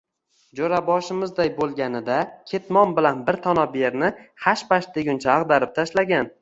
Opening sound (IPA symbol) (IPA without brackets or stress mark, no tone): d͡ʒ